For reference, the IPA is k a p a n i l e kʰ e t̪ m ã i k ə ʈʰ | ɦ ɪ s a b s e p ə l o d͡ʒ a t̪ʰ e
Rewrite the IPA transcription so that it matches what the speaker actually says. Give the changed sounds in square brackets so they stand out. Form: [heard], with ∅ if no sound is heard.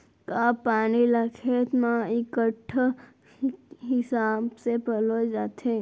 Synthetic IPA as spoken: k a p a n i l [a] kʰ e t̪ m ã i k ə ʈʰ | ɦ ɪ s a b s e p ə l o d͡ʒ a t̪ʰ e